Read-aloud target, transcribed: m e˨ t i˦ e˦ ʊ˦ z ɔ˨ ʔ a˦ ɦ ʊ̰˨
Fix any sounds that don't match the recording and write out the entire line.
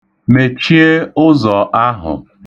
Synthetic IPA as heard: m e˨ t͡ʃ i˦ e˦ ʊ˦ z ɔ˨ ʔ a˦ ɦ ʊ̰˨